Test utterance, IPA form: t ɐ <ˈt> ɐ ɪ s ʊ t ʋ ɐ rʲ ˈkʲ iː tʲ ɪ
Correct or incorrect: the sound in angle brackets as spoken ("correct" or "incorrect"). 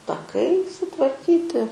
incorrect